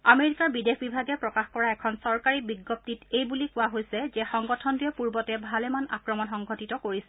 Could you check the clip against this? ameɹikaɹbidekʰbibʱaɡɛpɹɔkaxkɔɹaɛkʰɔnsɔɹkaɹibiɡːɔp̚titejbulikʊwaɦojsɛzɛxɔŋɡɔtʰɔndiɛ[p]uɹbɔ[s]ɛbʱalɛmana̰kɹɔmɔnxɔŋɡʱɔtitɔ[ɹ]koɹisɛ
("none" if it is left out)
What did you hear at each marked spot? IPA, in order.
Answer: p, t, none

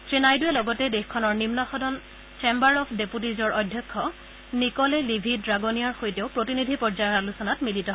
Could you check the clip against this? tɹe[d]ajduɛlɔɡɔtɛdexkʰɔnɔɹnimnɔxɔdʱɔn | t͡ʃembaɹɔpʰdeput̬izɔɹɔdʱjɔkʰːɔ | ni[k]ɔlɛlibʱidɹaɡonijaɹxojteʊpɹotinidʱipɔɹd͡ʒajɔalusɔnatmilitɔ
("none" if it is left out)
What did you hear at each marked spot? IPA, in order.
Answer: n, k

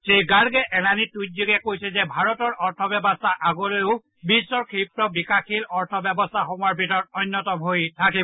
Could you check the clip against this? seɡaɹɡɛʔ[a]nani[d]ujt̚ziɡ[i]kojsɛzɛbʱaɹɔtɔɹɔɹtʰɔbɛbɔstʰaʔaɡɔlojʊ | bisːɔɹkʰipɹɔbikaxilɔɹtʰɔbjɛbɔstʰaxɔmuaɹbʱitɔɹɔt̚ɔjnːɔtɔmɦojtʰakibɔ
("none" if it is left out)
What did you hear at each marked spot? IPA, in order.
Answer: ɛ, t, ɛ

